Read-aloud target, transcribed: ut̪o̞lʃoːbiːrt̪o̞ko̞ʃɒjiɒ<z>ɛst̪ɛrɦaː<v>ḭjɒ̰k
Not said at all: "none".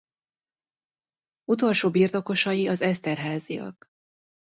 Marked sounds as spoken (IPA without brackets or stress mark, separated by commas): z, z